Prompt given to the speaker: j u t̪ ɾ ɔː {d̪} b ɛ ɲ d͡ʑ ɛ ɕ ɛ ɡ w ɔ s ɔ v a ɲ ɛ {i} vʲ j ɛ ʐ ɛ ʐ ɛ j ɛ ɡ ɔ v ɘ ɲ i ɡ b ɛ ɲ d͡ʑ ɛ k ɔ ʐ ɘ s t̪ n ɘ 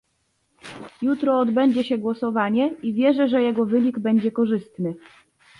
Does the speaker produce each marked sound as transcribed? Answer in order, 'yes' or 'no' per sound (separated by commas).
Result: yes, yes